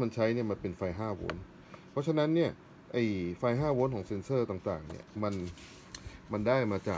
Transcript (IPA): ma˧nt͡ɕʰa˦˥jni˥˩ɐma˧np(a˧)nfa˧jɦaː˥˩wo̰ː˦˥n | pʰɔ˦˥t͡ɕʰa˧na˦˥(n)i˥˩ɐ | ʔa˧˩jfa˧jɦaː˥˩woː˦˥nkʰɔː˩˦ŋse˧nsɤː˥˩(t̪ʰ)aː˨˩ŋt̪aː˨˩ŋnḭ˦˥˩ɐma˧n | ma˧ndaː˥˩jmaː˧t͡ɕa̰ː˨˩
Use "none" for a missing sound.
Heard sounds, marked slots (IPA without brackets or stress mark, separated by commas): e˧, nː, t̪